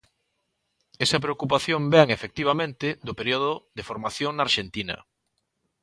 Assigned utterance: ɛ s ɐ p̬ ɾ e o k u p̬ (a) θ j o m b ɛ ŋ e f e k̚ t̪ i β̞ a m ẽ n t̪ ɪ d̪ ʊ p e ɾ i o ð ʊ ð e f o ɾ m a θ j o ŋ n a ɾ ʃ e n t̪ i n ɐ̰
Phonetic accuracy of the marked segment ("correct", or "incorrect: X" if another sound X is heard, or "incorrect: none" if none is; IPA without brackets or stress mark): correct